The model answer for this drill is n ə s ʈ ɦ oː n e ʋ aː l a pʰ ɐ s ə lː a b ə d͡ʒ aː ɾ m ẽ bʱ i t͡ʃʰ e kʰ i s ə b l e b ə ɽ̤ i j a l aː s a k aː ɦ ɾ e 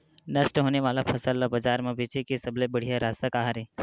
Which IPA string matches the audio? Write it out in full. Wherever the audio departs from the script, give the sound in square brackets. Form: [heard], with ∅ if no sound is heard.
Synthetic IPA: n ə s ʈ ɦ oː n e ʋ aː l a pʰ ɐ s ə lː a b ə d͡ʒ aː ɾ m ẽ bʱ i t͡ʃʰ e [k] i s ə b l e b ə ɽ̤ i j a [ɾ] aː s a k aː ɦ ɾ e

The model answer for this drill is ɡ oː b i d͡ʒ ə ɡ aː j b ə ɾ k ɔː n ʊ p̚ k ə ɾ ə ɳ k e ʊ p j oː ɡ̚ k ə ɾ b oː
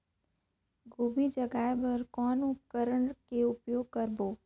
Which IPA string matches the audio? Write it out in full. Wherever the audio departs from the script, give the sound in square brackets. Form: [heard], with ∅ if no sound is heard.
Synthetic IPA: ɡ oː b i d͡ʒ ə ɡ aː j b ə ɾ k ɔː n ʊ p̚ k ə ɾ ə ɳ k e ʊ p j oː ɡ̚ k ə ɾ b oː

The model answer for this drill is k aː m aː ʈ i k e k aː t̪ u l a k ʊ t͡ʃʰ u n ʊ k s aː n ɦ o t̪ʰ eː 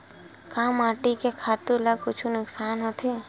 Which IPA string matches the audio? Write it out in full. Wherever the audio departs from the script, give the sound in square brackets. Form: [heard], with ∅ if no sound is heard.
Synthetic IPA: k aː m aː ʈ i k e [kʰ] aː t̪ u l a k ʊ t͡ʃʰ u n ʊ k s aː n ɦ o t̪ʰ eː

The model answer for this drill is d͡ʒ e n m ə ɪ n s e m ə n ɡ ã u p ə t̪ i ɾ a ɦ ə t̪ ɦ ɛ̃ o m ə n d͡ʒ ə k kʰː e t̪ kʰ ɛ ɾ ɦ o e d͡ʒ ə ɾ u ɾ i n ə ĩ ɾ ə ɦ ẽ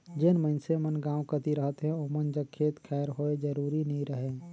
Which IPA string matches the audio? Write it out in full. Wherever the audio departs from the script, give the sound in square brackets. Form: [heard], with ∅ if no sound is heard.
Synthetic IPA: d͡ʒ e n m ə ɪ n s e m ə n ɡ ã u [k] ə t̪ i ɾ [ə] ɦ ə t̪ ɦ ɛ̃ o m ə n d͡ʒ ə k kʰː e t̪ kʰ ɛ ɾ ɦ o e d͡ʒ ə ɾ u ɾ i n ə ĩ ɾ ə ɦ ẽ

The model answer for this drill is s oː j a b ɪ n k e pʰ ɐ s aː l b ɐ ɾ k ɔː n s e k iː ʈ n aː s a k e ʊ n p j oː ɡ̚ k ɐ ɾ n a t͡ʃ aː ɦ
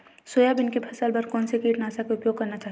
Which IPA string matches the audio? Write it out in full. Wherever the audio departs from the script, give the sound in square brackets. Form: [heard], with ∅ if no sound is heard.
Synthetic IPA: s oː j a b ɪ n k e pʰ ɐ s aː l b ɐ ɾ k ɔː n s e k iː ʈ n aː s a k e ʊ [∅] p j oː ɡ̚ k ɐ ɾ n a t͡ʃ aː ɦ

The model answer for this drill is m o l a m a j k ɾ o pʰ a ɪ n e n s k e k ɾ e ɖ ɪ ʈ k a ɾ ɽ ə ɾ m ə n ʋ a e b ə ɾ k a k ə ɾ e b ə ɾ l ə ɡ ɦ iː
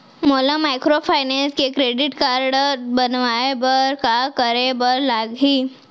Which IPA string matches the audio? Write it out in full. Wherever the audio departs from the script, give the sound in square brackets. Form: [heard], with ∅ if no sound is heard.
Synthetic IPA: m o l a m a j k ɾ o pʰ a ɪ n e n s k e k ɾ e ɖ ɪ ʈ k a ɾ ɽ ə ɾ [b] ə n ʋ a e b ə ɾ k a k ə ɾ e b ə ɾ l [a] ɡ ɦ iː

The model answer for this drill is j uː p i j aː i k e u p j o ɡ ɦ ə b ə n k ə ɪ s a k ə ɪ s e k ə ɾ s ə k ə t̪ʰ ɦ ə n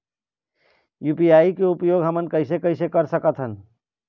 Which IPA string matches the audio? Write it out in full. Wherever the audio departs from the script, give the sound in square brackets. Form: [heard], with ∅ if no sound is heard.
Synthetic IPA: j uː p i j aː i k e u p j o ɡ ɦ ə [m] ə n k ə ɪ s [e] k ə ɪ s e k ə ɾ s ə k ə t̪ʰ ɦ ə n

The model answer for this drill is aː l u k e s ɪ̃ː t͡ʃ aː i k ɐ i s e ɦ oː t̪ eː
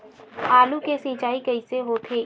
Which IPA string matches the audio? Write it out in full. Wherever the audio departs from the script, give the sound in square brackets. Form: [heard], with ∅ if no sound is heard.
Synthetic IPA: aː l u k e s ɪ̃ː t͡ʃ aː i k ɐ i s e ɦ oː [t̪ʰ] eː

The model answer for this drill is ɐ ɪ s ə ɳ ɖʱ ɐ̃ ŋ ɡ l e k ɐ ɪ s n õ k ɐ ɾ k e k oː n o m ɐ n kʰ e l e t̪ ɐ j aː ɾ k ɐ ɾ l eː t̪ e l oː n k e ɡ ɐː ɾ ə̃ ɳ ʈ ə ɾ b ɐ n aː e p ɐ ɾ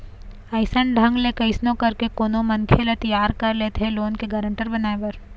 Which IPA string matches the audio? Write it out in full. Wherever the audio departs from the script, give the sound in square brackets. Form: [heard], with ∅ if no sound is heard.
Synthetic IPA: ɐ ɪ s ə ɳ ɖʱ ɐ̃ ŋ ɡ l e k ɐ ɪ s n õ k ɐ ɾ k e k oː n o m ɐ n kʰ e l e t̪ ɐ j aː ɾ k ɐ ɾ l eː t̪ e l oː n k e ɡ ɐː ɾ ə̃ ɳ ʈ ə ɾ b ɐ n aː e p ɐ ɾ

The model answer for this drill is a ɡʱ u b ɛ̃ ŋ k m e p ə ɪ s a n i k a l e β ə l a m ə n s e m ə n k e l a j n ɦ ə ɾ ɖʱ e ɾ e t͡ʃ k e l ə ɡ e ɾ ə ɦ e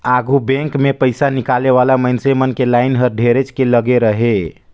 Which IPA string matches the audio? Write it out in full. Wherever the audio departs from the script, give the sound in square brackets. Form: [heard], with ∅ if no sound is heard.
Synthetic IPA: a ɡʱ u b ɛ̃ ŋ k m e p ə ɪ s a n i k a l e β [a] l a m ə n s e m ə n k e l a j n ɦ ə ɾ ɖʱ e ɾ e t͡ʃ k e l ə ɡ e ɾ ə ɦ e

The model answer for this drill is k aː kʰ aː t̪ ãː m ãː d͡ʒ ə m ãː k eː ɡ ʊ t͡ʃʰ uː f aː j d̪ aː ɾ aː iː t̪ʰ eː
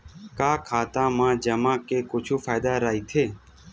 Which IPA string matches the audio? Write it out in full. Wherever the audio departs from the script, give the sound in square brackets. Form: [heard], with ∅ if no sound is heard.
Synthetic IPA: k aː kʰ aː t̪ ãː m ãː d͡ʒ ə m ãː k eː [k] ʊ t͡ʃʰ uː f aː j d̪ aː ɾ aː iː t̪ʰ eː

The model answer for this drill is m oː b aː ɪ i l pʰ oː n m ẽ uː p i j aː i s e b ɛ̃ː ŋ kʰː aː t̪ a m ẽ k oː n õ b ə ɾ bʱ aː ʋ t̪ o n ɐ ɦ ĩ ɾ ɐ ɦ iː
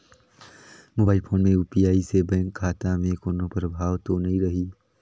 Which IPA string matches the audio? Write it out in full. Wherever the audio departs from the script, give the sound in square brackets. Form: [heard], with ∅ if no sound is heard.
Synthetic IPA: m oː b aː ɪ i l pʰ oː n m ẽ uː p i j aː i s e b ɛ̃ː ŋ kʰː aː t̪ a m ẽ k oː n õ [p] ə ɾ bʱ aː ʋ t̪ o n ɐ ɦ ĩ ɾ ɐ ɦ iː

